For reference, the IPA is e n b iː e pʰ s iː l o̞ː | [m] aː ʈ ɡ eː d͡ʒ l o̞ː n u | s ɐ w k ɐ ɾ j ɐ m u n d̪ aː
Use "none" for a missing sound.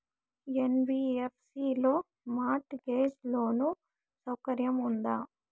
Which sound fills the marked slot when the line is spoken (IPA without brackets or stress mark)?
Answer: m